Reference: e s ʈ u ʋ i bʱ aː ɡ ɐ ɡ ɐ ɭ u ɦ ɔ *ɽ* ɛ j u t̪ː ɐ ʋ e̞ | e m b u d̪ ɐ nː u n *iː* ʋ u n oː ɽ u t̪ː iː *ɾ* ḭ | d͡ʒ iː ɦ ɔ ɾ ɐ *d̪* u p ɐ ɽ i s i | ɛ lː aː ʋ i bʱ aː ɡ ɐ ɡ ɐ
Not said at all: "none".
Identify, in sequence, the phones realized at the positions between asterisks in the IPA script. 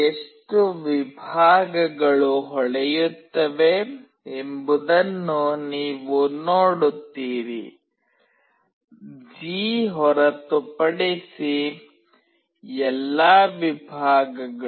ɭ, iː, ɾ, t̪

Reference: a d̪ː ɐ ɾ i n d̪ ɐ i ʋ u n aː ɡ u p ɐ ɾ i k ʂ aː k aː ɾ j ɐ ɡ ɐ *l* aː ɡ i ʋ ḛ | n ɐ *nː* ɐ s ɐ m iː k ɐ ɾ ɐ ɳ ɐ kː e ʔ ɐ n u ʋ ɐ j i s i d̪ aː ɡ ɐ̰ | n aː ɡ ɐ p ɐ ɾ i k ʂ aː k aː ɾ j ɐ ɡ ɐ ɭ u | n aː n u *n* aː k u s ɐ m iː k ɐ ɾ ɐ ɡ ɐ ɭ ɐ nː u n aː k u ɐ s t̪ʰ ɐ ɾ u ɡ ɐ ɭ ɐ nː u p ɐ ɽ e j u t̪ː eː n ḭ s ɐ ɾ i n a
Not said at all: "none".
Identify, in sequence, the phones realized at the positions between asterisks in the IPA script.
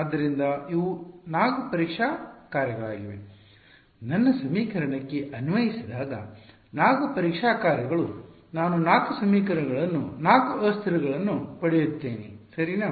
ɭ, nː, n

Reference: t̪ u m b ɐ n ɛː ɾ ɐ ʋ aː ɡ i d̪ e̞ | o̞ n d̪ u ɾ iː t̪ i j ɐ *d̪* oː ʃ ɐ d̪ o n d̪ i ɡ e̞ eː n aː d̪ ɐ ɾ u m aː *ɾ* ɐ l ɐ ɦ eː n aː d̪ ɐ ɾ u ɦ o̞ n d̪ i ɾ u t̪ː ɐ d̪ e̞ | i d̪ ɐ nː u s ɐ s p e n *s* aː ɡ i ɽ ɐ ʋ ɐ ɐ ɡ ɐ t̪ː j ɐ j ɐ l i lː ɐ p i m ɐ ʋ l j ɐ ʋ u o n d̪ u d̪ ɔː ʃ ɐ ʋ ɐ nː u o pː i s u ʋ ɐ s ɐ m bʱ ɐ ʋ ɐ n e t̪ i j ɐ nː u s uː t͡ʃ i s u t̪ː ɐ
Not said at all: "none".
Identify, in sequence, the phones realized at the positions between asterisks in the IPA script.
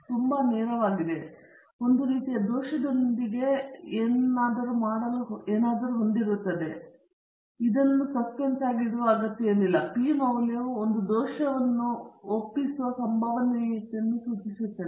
d̪, ɽ, s

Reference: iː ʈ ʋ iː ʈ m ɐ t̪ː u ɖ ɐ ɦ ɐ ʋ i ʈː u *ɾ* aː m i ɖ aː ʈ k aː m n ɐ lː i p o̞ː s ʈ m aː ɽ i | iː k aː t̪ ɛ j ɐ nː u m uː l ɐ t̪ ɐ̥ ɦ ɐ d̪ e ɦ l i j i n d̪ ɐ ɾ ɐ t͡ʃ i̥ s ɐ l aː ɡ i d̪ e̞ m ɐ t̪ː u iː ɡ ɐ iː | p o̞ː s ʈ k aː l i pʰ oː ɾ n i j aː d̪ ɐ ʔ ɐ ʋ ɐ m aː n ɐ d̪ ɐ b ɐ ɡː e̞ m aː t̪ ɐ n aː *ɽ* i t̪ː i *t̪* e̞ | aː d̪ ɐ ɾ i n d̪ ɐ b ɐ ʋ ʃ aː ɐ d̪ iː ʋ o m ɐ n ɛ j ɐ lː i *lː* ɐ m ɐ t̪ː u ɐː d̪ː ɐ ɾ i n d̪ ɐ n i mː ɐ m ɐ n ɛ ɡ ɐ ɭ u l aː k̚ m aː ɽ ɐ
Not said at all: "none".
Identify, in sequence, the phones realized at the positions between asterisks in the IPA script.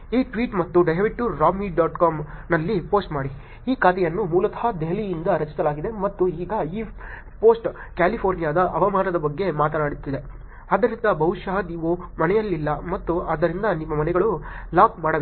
ɾ, ɽ, d̪, lː

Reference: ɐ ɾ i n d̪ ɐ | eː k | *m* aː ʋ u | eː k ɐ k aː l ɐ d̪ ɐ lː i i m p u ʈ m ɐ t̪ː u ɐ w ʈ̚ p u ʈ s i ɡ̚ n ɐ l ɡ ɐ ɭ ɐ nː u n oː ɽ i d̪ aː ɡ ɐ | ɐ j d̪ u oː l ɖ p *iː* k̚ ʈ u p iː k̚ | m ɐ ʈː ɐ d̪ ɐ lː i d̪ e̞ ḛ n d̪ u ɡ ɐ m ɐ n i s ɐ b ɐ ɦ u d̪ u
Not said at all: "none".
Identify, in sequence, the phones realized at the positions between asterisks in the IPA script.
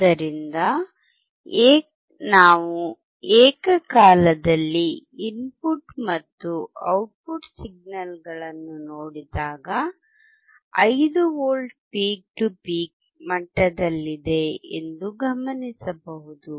n, iː

